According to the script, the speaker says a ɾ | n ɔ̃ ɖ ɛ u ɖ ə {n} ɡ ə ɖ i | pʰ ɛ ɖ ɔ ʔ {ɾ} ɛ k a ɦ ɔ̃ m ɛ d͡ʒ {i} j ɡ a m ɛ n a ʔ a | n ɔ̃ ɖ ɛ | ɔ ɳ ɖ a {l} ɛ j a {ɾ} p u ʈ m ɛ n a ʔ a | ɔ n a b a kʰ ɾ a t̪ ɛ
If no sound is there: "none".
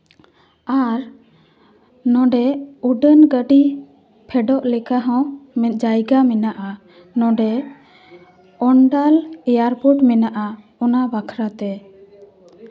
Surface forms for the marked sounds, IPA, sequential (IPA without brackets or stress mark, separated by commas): n, l, a, l, ɾ